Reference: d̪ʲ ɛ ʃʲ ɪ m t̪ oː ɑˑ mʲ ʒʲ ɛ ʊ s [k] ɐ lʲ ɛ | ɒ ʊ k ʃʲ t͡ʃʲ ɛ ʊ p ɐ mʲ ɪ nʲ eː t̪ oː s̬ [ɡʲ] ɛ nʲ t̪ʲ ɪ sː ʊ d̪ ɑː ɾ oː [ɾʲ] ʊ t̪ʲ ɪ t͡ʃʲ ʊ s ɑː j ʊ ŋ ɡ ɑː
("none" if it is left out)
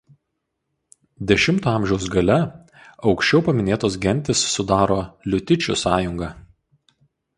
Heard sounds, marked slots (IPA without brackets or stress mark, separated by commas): ɡ, ɡʲ, lʲ